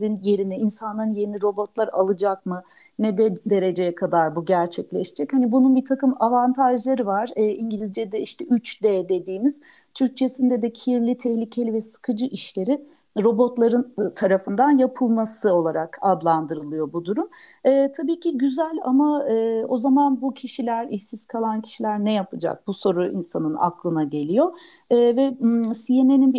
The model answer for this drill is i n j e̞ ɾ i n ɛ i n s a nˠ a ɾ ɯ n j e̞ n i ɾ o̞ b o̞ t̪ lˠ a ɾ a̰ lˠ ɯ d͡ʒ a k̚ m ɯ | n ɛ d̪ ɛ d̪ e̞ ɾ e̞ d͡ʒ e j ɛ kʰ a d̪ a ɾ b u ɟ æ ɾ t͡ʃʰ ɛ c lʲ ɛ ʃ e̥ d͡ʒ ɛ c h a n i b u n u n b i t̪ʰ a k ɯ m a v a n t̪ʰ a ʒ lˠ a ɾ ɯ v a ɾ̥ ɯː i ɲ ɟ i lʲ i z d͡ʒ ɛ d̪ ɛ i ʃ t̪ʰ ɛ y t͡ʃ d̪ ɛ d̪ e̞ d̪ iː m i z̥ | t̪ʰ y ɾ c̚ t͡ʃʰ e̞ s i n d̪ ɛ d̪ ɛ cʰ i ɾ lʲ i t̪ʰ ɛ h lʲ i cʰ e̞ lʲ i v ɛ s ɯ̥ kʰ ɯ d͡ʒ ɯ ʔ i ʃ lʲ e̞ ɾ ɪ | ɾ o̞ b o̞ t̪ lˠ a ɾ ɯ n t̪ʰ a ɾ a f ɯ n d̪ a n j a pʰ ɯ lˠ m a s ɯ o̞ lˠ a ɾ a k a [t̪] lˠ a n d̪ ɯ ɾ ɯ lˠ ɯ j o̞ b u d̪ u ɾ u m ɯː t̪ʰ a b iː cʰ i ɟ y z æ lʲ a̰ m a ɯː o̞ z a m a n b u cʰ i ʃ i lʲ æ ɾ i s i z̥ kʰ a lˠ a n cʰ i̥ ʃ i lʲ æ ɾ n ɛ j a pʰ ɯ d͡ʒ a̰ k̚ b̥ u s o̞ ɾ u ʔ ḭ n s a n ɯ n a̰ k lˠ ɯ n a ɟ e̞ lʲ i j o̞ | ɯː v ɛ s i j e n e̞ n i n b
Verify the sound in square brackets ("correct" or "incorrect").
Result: incorrect